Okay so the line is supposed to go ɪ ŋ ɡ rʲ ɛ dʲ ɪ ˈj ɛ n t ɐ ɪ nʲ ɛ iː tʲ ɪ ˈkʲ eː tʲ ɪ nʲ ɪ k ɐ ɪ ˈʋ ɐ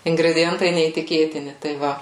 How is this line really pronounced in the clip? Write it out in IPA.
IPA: ɪ ŋ ɡ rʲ ɛ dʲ ɪ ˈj ɛ n t ɐ ɪ nʲ ɛ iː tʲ ɪ ˈkʲ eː tʲ ɪ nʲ ɪ t ɐ ɪ ˈʋ ɐ